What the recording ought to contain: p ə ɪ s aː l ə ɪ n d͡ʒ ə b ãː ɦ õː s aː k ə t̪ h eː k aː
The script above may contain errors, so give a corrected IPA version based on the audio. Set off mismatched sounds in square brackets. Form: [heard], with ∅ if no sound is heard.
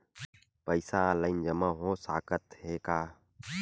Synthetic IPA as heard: p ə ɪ s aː l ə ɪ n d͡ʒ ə [m] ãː ɦ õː s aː k ə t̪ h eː k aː

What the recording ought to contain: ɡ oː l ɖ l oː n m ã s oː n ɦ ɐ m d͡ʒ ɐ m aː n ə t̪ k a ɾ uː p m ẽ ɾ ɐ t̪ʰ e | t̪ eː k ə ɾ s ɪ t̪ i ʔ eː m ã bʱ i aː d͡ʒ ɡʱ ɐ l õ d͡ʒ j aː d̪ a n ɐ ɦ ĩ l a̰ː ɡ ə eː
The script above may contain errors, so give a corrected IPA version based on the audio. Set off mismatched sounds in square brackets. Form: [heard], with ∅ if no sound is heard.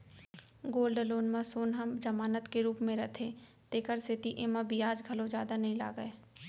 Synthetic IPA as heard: ɡ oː l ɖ l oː n m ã s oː n ɦ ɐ m d͡ʒ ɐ m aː n ə t̪ k [e] ɾ uː p m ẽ ɾ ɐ t̪ʰ e | t̪ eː k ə ɾ s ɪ t̪ i ʔ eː m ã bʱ i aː d͡ʒ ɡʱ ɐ l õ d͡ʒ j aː d̪ a n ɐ ɦ ĩ l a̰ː ɡ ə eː

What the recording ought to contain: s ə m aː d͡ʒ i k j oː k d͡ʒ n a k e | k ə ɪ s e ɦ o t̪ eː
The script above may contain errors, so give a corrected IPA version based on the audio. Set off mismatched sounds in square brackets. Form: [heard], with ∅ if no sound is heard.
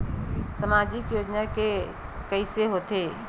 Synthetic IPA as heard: s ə m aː d͡ʒ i k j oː [∅] d͡ʒ n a k e | k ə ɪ s e ɦ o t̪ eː

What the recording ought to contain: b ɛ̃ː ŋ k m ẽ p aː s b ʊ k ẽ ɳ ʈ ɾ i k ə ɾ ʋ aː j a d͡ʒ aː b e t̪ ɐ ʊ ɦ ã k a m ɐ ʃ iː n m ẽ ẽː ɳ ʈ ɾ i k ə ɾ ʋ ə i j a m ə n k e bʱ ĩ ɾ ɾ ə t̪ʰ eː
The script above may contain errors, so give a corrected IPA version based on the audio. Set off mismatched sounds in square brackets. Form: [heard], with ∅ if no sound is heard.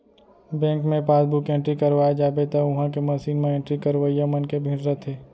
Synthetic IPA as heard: b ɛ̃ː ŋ k m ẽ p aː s b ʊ k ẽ ɳ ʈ ɾ i k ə ɾ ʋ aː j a d͡ʒ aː b e t̪ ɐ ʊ ɦ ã k [e] m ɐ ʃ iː n m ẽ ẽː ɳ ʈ ɾ i k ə ɾ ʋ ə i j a m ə n k e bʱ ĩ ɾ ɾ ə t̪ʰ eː

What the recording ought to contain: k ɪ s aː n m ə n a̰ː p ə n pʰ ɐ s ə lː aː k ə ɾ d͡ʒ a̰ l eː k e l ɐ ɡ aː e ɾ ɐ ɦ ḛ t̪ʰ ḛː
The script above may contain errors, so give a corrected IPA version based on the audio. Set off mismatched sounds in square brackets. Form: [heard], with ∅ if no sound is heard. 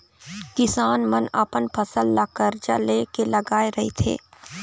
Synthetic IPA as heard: k ɪ s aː n m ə n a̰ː p ə n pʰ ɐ s ə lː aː k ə ɾ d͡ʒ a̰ l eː k e l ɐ ɡ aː e ɾ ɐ ɦ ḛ t̪ʰ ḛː

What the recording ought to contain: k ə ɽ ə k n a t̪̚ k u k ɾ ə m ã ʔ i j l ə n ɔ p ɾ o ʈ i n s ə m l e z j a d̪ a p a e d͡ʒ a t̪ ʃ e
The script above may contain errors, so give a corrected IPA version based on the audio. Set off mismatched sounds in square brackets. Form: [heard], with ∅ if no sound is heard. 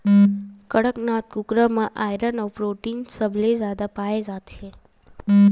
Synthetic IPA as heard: k ə ɽ ə k n a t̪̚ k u k ɾ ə m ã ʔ [a] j [ɾ] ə n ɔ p ɾ o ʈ i n s ə [b] l e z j a d̪ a p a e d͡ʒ a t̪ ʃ e

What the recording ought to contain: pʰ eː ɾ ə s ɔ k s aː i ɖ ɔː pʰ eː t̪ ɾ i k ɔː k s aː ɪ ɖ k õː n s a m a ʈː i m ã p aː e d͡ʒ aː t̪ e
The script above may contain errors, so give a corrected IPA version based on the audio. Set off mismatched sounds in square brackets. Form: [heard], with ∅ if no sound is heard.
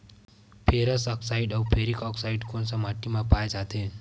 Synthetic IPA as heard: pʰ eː ɾ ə s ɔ k s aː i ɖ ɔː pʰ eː [∅] ɾ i k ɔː k s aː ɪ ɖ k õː n s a m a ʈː i m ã p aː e d͡ʒ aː t̪ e

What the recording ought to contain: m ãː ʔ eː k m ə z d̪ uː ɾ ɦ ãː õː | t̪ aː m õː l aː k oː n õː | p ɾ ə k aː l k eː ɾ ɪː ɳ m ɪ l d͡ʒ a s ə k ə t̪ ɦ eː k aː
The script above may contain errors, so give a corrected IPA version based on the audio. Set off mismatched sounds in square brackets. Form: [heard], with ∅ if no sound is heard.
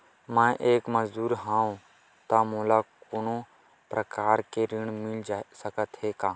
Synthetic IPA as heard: m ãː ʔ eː k m ə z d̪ uː ɾ ɦ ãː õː | t̪ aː m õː l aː k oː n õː | p ɾ ə k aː [ɾ] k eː ɾ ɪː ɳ m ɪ l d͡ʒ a s ə k ə t̪ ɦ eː k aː

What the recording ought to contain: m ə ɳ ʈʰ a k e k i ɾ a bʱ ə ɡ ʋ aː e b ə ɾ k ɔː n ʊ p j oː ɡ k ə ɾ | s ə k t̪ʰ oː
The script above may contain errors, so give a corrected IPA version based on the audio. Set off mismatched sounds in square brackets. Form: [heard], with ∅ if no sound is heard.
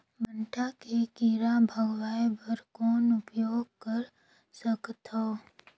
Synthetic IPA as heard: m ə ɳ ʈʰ a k e k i ɾ a bʱ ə ɡ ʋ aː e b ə ɾ k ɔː n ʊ p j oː ɡ k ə ɾ | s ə k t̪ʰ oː

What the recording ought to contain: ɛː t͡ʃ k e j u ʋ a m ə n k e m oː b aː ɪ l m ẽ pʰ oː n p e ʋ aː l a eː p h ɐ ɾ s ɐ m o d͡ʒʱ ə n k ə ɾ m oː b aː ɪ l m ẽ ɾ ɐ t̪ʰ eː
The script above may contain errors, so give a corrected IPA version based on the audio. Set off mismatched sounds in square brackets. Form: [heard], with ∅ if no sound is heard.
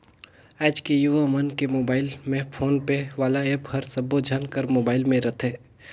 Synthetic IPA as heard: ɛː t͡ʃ k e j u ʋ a m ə n k e m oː b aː ɪ l m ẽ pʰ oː n p e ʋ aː l a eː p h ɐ ɾ s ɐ [b] o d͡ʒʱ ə n k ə ɾ m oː b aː ɪ l m ẽ ɾ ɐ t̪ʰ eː

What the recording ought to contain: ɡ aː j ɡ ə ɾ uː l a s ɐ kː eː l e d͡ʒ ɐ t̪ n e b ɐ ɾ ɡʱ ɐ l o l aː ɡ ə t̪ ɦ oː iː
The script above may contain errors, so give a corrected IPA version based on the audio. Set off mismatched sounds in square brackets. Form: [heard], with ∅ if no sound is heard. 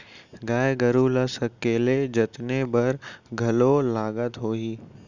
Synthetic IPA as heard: ɡ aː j ɡ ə ɾ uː l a s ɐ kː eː l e d͡ʒ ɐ t̪ n e b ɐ ɾ ɡʱ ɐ l o l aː ɡ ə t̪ ɦ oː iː

